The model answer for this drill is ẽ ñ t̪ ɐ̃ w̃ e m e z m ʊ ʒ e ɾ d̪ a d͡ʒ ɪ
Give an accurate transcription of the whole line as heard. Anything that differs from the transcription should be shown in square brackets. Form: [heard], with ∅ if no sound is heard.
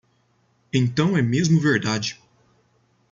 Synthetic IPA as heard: ẽ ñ t̪ ɐ̃ w̃ [ɛ] m e z m ʊ [v] e ɾ d̪ a d͡ʒ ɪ

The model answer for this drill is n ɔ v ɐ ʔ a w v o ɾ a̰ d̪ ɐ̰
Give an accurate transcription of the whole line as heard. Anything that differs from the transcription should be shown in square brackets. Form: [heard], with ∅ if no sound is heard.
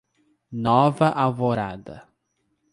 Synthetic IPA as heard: n ɔ v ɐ ʔ a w v o ɾ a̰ d̪ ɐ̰

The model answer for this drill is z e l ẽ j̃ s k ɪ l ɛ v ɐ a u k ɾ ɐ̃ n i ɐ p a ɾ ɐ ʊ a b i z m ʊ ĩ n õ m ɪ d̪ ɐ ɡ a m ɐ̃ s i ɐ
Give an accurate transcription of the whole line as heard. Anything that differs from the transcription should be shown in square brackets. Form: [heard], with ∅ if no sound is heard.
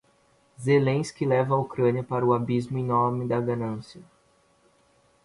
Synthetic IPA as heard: z e l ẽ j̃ s k ɪ l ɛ v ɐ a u k ɾ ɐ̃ n i ɐ p a ɾ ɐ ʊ a b i z m ʊ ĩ n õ m ɪ d̪ ɐ ɡ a [n] ɐ̃ s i ɐ

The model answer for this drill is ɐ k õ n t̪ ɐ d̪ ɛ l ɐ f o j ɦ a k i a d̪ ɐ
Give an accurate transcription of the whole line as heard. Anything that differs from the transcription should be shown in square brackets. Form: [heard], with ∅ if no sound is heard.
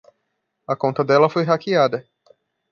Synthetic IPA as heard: ɐ k õ n t̪ ɐ d̪ ɛ l ɐ f o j ɦ a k i a d̪ ɐ

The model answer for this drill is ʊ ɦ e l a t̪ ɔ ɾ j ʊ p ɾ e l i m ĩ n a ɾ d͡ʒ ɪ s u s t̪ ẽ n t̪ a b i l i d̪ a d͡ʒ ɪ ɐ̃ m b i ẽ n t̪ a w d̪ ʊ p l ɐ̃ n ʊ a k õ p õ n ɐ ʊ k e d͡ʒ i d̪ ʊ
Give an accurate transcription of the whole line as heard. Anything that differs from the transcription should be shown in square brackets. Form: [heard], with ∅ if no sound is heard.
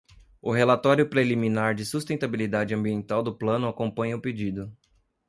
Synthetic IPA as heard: ʊ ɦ e l a t̪ ɔ ɾ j ʊ p ɾ e l i m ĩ n a ɾ d͡ʒ ɪ s u s t̪ ẽ n t̪ a b i l i d̪ a d͡ʒ ɪ ɐ̃ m b i ẽ n t̪ a w d̪ ʊ p l ɐ̃ n ʊ a k õ p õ [ɲ] ɐ ʊ [p] e d͡ʒ i d̪ ʊ

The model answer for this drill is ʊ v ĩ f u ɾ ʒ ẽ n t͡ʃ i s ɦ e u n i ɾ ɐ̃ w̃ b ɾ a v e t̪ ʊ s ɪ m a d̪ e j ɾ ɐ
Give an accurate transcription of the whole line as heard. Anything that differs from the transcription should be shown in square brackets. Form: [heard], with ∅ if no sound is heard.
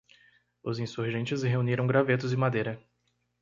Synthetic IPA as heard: ʊ [z] ĩ [s] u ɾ ʒ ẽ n t͡ʃ [ɪ] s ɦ e u n i ɾ ɐ̃ w̃ [ɡ] ɾ a v e t̪ ʊ [z] ɪ m a d̪ e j ɾ ɐ

